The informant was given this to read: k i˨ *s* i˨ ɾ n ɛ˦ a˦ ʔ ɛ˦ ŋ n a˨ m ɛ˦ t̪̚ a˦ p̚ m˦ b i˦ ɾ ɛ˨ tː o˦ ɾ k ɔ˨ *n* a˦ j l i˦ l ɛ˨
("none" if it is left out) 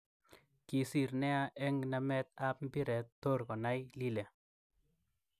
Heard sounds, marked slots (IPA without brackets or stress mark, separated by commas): s, n